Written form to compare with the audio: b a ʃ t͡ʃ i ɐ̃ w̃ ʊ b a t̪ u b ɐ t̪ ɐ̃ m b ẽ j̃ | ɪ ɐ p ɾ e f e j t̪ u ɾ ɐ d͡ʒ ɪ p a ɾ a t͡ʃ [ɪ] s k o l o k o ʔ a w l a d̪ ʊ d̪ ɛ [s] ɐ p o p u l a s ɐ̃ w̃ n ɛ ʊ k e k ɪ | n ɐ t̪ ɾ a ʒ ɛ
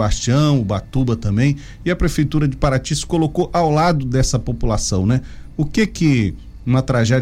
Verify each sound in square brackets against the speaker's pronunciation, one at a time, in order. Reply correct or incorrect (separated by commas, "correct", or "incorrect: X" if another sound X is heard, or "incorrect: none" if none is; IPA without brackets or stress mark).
incorrect: i, correct